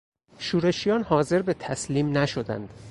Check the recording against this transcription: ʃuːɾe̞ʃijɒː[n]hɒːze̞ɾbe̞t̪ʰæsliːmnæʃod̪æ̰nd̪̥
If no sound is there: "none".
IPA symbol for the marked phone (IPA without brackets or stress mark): n